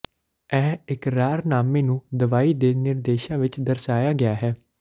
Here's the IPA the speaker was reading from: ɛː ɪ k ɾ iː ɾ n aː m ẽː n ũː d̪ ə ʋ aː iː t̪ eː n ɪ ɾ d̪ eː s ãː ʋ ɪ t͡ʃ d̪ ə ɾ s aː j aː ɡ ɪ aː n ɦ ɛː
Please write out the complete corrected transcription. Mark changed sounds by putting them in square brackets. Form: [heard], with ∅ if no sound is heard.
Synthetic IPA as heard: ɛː ɪ k ɾ [aː] ɾ n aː m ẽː n ũː d̪ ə ʋ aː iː [d̪] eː n ɪ ɾ d̪ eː [ʃ] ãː ʋ ɪ t͡ʃ d̪ ə ɾ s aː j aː ɡ ɪ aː [∅] ɦ ɛː